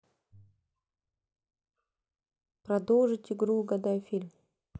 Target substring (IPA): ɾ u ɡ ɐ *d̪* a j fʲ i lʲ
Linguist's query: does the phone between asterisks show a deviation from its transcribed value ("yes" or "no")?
no